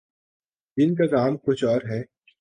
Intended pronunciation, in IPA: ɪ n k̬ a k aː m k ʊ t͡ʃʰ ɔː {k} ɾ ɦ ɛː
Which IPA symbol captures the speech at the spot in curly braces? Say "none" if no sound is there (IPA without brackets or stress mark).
none